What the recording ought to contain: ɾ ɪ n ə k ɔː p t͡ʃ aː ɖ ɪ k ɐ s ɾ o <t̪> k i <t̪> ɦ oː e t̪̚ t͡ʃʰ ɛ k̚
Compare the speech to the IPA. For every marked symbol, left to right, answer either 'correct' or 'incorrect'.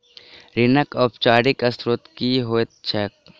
correct, incorrect

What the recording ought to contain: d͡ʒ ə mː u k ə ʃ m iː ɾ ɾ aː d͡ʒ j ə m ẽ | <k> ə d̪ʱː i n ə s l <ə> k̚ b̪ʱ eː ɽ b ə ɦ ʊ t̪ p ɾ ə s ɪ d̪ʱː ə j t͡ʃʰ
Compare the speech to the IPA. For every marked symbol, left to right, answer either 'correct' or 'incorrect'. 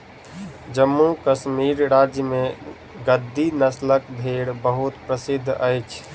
incorrect, correct

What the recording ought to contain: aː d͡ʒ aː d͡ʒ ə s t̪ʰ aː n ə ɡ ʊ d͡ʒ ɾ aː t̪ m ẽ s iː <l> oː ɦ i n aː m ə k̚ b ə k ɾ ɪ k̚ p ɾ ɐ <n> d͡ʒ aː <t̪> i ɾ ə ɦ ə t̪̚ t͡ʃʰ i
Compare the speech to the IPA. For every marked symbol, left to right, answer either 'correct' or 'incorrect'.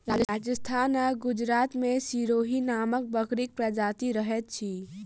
incorrect, incorrect, correct

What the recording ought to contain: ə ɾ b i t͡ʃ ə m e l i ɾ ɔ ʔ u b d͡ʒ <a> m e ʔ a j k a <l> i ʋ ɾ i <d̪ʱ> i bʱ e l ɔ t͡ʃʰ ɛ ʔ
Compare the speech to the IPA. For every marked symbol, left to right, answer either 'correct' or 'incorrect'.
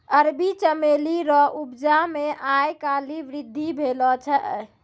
correct, correct, incorrect

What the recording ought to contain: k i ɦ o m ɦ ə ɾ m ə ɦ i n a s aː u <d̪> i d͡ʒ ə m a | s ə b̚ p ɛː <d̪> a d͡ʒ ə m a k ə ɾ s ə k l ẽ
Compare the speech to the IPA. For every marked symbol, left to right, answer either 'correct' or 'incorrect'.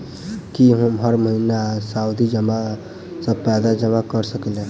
correct, correct

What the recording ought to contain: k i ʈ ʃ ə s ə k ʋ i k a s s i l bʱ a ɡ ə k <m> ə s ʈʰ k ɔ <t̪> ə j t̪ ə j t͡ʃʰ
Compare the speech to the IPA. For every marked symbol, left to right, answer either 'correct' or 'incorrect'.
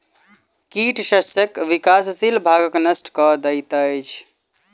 incorrect, incorrect

